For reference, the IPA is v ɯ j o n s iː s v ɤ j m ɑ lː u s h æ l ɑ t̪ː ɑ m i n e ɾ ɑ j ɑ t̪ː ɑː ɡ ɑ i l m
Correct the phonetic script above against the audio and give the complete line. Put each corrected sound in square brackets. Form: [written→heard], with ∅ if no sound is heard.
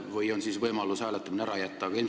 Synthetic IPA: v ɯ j o n s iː s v ɤ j m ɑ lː u s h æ l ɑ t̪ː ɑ m i n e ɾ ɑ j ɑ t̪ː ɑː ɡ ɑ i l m